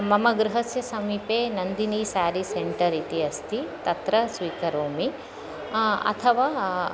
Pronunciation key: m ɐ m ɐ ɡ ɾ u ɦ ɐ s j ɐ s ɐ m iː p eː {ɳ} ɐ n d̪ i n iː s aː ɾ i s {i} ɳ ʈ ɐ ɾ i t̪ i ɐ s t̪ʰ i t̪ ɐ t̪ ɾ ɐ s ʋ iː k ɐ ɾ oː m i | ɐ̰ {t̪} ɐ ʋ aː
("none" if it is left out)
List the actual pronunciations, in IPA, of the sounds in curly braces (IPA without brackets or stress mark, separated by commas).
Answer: n, e, t̪ʰ